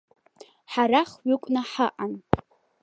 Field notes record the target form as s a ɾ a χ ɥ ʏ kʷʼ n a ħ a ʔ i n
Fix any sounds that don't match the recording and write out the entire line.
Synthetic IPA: ħ a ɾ a χ ɥ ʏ kʷʼ n a ħ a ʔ a n